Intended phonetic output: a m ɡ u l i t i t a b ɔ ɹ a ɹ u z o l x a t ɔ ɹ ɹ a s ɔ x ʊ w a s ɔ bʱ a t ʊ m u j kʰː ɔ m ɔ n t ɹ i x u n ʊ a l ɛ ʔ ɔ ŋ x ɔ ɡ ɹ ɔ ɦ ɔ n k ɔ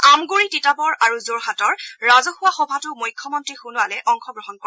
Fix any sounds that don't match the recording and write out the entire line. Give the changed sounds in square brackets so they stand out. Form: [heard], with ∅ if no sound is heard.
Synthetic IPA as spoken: a m ɡ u [ɹ] i t i t a b ɔ ɹ a ɹ u z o [ɹ] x a t ɔ ɹ ɹ a [z] ɔ x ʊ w a [x] ɔ bʱ a t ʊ m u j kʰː ɔ m ɔ n t ɹ i x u n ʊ a l ɛ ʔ ɔ ŋ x ɔ ɡ ɹ ɔ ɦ ɔ n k ɔ